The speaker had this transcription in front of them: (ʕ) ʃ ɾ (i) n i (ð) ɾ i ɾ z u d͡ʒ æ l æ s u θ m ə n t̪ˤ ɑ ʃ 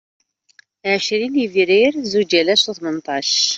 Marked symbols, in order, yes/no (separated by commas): yes, yes, no